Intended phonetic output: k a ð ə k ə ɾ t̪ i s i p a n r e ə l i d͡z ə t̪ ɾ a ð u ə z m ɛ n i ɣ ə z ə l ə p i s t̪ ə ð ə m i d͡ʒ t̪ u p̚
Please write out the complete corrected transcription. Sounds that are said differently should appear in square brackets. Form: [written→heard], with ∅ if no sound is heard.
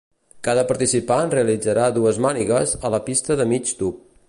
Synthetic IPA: k a ð ə [k→p] ə ɾ t̪ i s i p a n r e ə l i d͡z ə [t̪→∅] ɾ a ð u ə z m [ɛ→a] n i ɣ ə z ə l ə p i s t̪ ə ð ə m i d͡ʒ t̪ u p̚